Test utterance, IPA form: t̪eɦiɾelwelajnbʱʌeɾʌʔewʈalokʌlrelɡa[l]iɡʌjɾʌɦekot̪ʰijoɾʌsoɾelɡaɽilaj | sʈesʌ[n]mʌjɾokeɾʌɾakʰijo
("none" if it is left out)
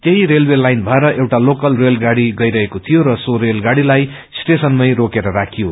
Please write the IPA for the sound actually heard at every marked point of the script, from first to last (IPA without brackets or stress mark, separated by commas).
ɽ, n